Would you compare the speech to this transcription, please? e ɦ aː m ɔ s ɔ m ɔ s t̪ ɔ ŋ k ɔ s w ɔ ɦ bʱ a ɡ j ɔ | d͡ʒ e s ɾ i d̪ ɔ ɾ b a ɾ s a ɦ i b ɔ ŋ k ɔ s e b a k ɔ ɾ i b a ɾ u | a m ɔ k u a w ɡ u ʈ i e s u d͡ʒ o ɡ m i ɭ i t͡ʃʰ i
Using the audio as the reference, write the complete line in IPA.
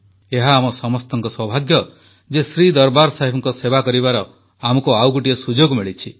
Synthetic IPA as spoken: e ɦ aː m ɔ s ɔ m ɔ s t̪ ɔ ŋ k ɔ s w ɔ bʱ a ɡ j ɔ | d͡ʒ e s ɾ i d̪ ɔ ɾ b a ɾ s a ɦ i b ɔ ŋ k ɔ s e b a k ɔ ɾ i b a ɾ ɔ | a m ɔ k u a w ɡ u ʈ i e s u d͡ʒ o ɡ m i ɭ i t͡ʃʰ i